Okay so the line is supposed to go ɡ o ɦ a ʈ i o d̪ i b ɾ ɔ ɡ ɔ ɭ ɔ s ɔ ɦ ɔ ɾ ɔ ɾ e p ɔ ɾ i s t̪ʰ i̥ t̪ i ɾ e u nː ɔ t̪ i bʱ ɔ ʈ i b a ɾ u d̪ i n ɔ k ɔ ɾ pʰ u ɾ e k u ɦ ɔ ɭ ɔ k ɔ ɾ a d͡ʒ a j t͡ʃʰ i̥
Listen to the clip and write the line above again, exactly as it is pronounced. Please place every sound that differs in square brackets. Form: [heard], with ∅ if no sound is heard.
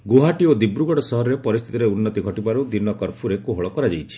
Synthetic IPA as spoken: ɡ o ɦ a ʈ i o d̪ i b ɾ [u] ɡ ɔ [ɽ] ɔ s ɔ ɦ ɔ ɾ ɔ ɾ e p ɔ ɾ i s t̪ʰ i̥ t̪ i ɾ e u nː ɔ t̪ i [ɡʱ] ɔ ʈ i b a ɾ u d̪ i n ɔ k ɔ ɾ pʰ u ɾ e k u ɦ ɔ ɭ ɔ k ɔ ɾ a d͡ʒ a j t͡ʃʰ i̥